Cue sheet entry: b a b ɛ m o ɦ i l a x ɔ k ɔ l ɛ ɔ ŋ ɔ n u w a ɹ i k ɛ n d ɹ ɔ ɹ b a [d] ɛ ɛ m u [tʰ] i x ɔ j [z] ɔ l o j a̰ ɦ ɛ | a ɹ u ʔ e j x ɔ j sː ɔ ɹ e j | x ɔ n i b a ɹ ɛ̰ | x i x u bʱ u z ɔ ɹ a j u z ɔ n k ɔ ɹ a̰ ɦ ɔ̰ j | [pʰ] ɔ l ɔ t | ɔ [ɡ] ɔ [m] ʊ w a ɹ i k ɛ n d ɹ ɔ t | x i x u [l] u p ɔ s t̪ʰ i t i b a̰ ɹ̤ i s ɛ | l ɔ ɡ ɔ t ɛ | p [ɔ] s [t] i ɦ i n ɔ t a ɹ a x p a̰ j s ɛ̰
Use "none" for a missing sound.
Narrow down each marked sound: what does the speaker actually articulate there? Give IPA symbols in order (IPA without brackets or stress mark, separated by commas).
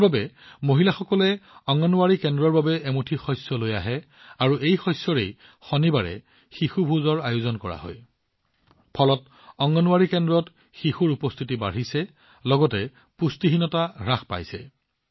b, tʰ, s, pʰ, ŋ, n, ɹ, u, t